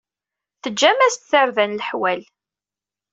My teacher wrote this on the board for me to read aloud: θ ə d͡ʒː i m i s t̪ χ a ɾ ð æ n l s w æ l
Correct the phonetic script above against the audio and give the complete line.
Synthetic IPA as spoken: θ ə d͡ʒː æ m æ s t̪ θ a ɾ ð æ n l ħ w æ l